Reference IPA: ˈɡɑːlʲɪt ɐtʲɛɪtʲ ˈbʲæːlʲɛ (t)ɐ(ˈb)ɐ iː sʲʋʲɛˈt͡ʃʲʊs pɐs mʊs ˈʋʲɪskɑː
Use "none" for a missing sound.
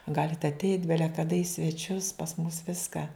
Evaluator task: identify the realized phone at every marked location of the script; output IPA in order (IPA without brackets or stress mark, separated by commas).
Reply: k, d